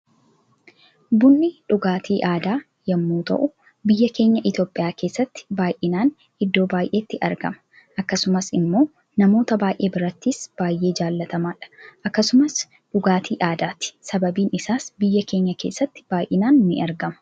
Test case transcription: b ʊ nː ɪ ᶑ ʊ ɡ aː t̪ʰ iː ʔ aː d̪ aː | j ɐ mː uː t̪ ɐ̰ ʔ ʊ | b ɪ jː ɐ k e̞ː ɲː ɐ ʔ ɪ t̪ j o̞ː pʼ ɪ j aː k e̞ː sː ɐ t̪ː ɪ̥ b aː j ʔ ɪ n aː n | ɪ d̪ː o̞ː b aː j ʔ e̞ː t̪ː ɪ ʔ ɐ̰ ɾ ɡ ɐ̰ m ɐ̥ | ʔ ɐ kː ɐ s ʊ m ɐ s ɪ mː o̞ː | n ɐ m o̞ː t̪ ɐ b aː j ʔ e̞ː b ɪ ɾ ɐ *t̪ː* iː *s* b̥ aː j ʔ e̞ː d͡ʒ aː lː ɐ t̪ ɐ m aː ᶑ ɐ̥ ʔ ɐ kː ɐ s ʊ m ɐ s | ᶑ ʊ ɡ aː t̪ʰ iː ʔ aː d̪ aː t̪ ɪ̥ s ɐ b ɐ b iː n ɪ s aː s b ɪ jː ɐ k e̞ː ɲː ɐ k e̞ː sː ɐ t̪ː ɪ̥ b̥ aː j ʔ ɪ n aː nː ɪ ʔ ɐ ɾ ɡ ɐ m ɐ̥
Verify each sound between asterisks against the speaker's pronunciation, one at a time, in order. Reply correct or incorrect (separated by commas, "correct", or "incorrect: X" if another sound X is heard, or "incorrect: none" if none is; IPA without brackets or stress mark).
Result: correct, correct